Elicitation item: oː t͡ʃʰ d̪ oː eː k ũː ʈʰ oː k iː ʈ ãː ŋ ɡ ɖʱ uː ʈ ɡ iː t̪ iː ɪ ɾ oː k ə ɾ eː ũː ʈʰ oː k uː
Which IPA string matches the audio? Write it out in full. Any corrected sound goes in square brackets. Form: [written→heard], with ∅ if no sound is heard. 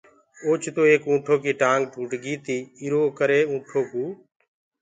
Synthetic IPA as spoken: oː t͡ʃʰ [d̪→t̪] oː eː k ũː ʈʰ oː k iː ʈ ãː ŋ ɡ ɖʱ uː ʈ ɡ iː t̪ iː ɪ ɾ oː k ə ɾ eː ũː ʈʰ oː k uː